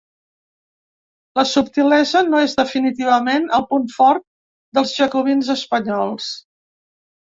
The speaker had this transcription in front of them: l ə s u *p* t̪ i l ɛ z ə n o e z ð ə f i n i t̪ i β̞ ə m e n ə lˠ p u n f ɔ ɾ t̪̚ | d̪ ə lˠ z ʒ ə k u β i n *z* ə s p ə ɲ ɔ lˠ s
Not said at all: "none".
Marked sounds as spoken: p, z

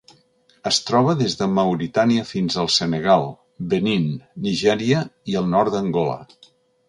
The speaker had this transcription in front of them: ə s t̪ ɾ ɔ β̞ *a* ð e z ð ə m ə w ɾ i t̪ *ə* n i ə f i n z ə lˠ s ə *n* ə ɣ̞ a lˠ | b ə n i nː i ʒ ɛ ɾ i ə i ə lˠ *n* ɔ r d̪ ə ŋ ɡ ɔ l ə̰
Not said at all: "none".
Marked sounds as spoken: ə, a, n, n

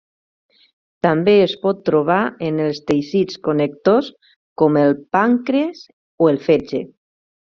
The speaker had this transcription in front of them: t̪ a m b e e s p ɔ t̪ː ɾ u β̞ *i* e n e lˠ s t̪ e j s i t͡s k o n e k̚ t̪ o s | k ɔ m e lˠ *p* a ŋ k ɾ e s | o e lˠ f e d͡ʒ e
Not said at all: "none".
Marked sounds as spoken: a, p

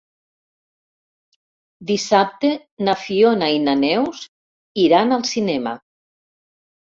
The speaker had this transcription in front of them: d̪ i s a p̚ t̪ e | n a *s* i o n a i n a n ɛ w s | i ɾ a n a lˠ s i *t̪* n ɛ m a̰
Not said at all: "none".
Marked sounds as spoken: f, none

